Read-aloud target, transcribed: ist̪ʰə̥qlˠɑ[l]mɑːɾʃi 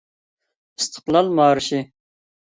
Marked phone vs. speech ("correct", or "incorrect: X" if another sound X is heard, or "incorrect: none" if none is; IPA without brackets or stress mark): correct